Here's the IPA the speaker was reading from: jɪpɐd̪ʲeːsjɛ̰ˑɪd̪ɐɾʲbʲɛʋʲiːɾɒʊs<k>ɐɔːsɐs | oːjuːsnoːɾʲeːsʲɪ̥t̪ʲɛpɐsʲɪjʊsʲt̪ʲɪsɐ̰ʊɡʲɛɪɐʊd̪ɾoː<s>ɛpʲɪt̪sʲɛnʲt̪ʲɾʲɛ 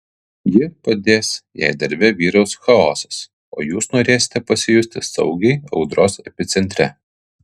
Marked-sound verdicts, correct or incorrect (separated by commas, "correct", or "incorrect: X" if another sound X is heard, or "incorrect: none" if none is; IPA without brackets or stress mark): incorrect: x, correct